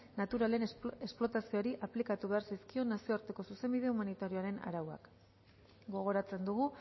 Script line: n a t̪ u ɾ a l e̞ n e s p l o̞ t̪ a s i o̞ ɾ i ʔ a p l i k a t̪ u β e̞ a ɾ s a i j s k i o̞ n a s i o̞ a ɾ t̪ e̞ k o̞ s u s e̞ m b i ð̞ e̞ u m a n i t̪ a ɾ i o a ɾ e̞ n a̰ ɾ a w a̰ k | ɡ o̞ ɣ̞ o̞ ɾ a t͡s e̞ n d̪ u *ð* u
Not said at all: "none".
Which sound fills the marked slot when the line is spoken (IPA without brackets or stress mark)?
ɣ